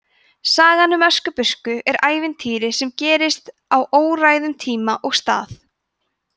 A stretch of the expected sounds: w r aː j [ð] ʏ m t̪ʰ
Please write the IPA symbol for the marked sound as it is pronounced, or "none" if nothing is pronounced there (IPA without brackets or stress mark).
ð